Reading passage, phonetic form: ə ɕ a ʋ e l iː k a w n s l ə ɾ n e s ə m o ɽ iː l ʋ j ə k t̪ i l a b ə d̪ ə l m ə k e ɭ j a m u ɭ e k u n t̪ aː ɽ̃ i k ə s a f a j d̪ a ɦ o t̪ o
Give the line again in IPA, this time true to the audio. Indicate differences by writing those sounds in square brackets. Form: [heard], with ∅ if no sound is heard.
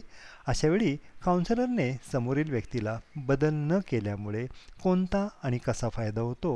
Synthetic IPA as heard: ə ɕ a ʋ e [ɭ] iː k a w n s l ə ɾ n e s ə m o [ɾ] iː l ʋ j ə k t̪ i l a b ə d̪ ə l [n] ə k e [l] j a m u ɭ e k [o] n t̪ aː ɽ̃ i k ə s a f a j d̪ a ɦ o t̪ o